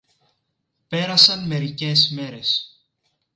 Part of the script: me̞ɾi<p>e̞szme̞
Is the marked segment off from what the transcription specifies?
yes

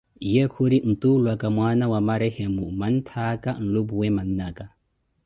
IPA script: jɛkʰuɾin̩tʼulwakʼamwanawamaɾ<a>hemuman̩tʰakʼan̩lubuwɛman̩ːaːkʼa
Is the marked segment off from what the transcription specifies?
yes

